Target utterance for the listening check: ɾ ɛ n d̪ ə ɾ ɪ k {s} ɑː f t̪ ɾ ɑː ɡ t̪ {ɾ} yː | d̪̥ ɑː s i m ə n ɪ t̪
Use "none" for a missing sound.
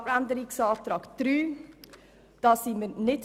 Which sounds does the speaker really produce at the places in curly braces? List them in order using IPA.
s, ɾ

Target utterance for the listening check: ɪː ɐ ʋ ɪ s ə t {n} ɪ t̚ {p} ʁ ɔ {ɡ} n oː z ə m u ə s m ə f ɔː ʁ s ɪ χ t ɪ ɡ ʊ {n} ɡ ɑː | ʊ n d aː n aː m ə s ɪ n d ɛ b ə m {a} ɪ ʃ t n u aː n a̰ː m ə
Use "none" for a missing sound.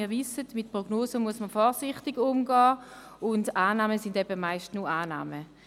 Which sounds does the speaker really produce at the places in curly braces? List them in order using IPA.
m, p, ɡ, m, a

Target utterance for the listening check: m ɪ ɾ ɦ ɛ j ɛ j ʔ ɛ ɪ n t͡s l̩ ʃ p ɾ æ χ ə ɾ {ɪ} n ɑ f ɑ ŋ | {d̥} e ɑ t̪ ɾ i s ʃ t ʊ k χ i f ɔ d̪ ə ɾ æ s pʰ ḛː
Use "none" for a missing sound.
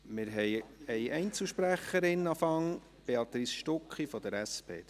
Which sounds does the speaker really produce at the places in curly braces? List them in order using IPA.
ɪ, b̥

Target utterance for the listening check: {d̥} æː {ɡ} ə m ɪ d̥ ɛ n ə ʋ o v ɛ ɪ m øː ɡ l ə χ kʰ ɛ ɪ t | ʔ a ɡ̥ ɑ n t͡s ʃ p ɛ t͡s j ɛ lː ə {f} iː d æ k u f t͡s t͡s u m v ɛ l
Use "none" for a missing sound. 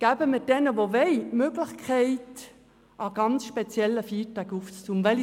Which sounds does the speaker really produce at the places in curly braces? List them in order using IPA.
ɡ̥, b, f

